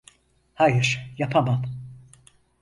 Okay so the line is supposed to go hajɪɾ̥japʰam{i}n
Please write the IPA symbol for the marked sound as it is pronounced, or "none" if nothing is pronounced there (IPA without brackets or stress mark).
a